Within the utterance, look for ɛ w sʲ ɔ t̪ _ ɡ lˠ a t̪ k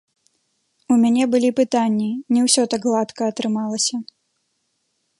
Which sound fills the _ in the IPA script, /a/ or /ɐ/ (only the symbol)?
a